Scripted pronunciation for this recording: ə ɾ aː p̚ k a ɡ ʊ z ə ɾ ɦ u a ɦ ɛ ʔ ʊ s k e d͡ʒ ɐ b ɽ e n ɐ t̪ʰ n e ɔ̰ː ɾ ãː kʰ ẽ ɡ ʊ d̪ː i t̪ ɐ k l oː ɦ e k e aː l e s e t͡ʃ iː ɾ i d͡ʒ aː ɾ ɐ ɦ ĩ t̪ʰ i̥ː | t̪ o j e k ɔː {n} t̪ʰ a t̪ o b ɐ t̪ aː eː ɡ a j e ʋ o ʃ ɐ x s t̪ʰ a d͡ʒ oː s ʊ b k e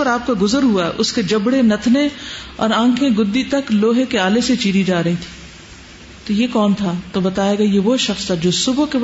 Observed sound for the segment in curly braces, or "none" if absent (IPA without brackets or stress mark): n